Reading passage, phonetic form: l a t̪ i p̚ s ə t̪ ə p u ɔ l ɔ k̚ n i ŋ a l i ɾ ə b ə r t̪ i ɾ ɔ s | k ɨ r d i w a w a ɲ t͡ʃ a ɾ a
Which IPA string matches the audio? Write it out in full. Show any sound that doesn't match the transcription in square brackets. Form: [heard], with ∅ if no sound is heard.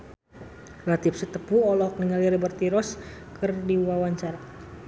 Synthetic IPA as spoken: l a t̪ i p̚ s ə t̪ ə p u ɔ l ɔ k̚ n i ŋ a l i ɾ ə b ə r t̪ i ɾ ɔ s | k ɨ r d i w a w a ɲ t͡ʃ a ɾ a